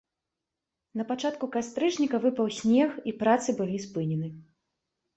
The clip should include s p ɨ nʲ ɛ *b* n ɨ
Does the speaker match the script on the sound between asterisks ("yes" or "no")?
no